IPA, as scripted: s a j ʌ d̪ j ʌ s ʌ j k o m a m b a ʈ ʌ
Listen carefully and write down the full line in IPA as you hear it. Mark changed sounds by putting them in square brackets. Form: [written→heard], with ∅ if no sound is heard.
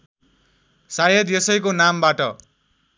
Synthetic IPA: s a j ʌ d̪ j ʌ s ʌ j k o [m→n] a m b a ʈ ʌ

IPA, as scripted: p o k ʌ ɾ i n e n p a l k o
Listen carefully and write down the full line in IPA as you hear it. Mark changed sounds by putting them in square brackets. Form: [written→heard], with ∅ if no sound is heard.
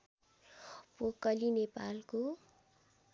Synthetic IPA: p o k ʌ [ɾ→l] i n e [n→∅] p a l k o

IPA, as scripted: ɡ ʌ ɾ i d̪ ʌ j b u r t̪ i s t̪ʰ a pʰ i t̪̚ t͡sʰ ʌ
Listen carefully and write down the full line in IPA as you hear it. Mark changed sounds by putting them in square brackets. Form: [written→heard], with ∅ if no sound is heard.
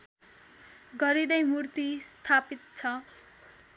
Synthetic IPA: ɡ ʌ ɾ i d̪ ʌ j [b→m] u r t̪ i s t̪ʰ a [pʰ→p] i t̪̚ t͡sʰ ʌ

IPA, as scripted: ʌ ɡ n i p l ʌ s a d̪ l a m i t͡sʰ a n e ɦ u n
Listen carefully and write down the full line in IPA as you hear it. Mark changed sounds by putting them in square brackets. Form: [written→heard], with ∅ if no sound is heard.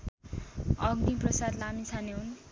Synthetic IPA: ʌ ɡ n i p [l→r] ʌ s a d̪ l a m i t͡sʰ a n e ɦ u n

